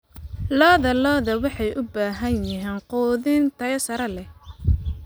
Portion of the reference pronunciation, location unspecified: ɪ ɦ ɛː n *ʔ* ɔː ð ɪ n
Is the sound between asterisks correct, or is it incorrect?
incorrect